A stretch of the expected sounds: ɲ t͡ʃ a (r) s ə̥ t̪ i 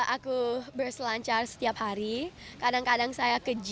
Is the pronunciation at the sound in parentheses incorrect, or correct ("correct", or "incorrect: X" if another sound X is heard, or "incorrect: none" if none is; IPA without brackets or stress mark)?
correct